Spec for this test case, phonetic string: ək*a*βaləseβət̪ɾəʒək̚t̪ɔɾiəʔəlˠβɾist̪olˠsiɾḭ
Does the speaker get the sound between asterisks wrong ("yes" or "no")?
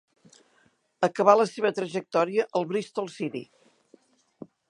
yes